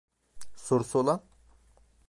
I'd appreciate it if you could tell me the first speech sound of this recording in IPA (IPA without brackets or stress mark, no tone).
s